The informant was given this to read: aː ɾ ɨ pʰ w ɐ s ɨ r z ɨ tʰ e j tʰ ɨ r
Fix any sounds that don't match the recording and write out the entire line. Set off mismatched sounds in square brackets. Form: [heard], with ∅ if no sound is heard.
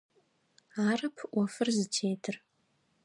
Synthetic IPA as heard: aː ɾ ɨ pʰ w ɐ [f] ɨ r z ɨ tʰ e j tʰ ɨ r